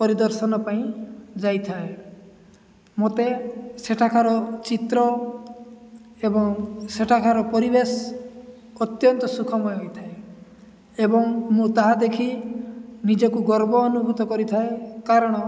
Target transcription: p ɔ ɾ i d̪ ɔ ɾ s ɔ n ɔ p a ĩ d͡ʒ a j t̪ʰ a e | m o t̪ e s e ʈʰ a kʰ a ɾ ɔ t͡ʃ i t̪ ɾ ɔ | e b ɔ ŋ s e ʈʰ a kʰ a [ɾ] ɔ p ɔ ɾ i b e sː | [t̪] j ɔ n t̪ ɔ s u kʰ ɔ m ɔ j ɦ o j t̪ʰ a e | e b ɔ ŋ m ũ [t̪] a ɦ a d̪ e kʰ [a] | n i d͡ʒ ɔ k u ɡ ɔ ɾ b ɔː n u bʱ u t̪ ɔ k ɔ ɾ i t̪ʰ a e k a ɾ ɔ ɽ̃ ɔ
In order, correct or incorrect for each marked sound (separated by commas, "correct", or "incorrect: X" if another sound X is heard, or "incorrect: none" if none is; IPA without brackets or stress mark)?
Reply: correct, correct, correct, incorrect: i